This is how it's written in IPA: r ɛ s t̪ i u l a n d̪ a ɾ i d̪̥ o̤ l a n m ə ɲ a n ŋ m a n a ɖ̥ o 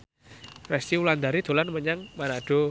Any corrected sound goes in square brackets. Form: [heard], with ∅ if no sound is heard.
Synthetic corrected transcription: r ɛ s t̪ i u l a n d̪ a ɾ i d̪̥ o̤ l a n m ə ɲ a [∅] ŋ m a n a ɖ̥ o